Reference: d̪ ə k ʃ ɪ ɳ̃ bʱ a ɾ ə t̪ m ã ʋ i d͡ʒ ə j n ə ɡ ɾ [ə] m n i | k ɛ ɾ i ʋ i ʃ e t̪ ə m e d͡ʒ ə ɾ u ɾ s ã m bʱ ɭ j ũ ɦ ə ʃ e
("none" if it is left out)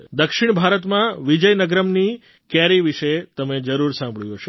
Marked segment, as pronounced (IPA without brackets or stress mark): ə